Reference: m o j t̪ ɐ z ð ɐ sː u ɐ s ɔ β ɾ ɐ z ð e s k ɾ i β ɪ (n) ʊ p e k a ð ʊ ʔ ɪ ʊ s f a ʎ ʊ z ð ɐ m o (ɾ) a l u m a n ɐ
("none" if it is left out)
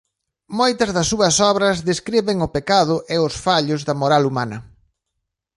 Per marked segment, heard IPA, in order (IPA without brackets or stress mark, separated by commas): ŋ, ɾ